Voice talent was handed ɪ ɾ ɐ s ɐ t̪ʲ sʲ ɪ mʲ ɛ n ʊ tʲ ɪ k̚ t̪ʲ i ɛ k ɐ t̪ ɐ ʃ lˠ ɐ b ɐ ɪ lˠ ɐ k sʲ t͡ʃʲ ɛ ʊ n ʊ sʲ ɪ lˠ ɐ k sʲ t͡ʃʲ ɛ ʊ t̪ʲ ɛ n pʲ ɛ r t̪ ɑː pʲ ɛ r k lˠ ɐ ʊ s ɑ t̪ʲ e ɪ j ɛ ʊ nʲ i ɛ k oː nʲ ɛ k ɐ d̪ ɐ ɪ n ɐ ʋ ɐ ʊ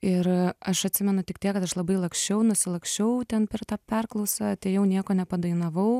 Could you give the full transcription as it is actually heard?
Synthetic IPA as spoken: ɪ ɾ ɐ ʃ ɐ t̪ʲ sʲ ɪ mʲ ɛ n ʊ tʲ ɪ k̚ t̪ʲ i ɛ k ɐ t̪ ɐ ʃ lˠ ɐ b ɐ ɪ lˠ ɐ k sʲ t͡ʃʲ ɛ ʊ n ʊ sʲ ɪ lˠ ɐ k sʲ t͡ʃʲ ɛ ʊ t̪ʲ ɛ n pʲ ɛ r t̪ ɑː pʲ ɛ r k lˠ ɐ ʊ s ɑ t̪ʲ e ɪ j ɛ ʊ nʲ i ɛ k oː nʲ ɛ p ɐ d̪ ɐ ɪ n ɐ ʋ ɐ ʊ